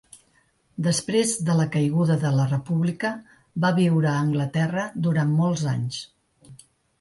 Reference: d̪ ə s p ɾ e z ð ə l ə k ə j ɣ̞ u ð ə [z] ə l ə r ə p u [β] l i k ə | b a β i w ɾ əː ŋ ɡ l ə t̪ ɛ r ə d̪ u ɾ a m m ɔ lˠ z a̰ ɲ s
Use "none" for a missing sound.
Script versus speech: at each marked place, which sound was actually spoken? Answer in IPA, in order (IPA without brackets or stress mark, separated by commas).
ð, β